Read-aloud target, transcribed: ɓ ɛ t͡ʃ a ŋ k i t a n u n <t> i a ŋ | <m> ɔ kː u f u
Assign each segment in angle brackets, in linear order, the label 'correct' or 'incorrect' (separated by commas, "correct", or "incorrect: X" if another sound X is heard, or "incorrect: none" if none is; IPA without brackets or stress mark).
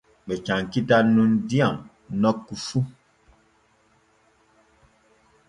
incorrect: d, incorrect: n